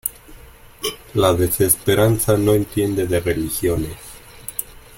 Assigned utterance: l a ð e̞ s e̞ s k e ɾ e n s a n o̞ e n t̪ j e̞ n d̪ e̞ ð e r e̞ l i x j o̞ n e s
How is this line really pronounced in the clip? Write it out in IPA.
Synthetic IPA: l a ð e̞ s e̞ s p e ɾ a n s a n o̞ e n t̪ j e̞ n d̪ e̞ ð e r e̞ l i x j o̞ n e s